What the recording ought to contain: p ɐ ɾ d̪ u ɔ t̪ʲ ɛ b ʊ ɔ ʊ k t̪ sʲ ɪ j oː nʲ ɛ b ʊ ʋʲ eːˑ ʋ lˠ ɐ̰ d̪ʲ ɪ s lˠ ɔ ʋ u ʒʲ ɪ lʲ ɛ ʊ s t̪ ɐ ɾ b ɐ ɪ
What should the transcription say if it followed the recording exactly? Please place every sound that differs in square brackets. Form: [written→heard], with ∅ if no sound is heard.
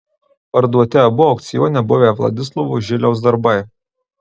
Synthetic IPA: p ɐ ɾ d̪ u ɔ t̪ʲ ɛ b ʊ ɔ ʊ k t̪ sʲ ɪ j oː nʲ ɛ b ʊ ʋʲ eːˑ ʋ lˠ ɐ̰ d̪ʲ ɪ s lˠ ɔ ʋ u ʒʲ ɪ lʲ ɛ ʊ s [t̪→d̪] ɐ ɾ b ɐ ɪ